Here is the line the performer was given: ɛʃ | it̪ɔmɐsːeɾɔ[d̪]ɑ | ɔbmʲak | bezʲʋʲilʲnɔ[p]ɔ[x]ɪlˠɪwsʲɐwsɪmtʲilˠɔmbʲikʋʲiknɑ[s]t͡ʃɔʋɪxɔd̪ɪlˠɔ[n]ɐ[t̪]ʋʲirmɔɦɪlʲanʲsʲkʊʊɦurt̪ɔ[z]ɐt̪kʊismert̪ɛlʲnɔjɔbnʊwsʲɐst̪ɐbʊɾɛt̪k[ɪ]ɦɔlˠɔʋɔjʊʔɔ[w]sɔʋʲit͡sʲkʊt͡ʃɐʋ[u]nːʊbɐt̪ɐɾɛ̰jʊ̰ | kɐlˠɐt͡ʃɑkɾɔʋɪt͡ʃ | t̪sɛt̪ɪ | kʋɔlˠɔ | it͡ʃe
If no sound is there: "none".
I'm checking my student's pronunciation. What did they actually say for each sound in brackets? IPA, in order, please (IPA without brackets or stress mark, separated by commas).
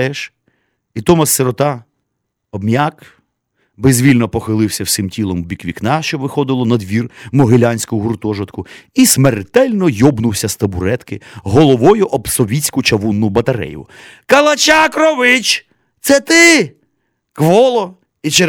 t̪, p, x, ʃ, n, d̪, ʒ, ɪ, b, u